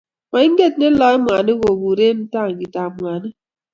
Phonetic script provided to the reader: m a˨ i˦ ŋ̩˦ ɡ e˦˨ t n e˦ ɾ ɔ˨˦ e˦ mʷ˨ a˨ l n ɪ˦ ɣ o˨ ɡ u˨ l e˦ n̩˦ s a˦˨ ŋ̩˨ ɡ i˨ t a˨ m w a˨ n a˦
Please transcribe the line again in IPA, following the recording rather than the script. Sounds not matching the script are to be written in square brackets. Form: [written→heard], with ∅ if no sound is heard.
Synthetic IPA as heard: m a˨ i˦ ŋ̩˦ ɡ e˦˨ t n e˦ [ɾ→l] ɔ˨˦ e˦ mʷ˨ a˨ [l→∅] n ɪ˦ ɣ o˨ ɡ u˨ [l→ɾ] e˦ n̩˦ [s→t] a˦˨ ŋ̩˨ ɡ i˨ t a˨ m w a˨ n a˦